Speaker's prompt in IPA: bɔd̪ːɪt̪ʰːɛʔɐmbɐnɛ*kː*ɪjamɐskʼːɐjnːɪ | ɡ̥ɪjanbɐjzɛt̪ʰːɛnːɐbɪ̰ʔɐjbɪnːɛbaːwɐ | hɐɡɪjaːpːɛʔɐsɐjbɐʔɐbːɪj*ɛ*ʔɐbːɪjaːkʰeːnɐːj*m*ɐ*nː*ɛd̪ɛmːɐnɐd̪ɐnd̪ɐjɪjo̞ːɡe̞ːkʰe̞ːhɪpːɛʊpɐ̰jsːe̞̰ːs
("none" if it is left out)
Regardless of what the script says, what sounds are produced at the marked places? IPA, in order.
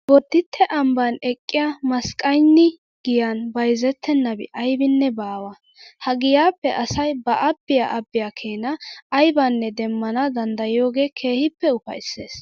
kʼː, a, b, nː

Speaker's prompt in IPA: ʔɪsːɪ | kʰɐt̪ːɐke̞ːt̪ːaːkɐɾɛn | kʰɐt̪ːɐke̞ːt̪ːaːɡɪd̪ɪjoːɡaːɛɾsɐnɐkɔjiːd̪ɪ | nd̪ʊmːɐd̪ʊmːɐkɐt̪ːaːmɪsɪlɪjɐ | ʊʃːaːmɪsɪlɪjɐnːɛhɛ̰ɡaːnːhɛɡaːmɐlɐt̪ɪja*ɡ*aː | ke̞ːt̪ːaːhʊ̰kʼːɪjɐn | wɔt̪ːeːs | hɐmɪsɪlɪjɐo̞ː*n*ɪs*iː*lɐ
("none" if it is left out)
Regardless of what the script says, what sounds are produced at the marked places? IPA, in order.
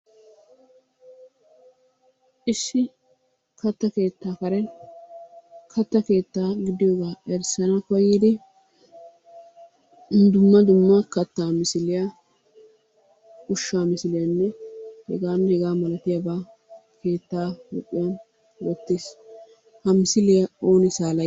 b, n, aː

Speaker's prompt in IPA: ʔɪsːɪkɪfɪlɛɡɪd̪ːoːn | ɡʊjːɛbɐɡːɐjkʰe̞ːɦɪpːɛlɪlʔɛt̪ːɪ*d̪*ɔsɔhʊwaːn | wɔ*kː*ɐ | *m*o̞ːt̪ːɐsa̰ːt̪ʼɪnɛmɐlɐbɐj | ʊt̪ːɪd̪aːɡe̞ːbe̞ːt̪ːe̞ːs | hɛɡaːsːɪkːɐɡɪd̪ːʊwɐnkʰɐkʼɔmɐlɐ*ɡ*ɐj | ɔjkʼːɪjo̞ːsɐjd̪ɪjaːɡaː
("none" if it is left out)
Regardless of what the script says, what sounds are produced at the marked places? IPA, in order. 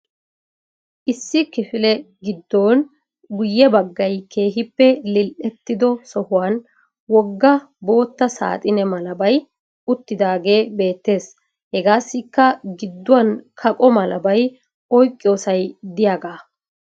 d̪, ɡː, b, b

